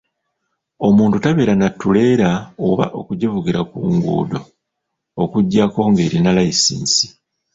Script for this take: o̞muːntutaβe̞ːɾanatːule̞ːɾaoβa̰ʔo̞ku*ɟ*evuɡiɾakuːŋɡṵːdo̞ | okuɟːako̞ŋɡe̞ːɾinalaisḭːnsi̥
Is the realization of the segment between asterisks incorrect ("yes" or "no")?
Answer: no